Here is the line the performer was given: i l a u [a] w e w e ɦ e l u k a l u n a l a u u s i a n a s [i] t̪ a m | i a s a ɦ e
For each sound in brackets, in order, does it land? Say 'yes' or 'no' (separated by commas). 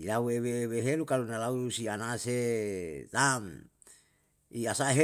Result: no, no